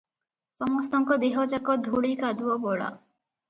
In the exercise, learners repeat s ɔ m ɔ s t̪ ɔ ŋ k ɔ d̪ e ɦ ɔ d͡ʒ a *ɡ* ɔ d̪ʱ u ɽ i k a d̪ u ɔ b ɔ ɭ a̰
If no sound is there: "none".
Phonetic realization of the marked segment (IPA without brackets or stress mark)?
k